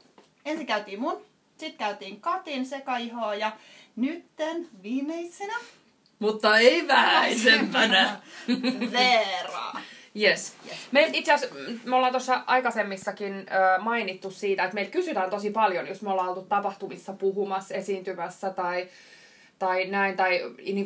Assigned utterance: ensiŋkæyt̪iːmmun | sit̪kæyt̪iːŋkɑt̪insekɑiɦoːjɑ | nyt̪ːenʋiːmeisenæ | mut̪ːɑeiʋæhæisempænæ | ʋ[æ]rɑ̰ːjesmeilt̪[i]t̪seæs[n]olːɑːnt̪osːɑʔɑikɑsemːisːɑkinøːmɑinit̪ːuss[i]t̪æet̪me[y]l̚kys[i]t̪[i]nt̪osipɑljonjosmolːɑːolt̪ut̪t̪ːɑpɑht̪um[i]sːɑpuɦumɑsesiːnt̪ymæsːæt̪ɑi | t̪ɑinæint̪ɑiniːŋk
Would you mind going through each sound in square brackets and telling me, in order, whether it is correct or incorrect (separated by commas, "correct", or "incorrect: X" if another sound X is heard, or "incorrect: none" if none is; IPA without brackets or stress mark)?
incorrect: e, correct, incorrect: m, incorrect: iː, incorrect: i, incorrect: y, incorrect: æ, correct